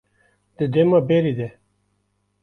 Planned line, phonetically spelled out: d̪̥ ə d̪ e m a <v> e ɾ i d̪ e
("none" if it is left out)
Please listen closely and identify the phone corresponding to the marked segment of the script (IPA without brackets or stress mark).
b